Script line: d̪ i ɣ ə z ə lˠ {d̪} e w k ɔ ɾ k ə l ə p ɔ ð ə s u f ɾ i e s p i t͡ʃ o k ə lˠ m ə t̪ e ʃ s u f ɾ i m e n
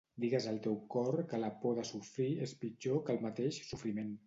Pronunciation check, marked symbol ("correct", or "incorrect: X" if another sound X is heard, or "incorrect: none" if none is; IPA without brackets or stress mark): incorrect: t̪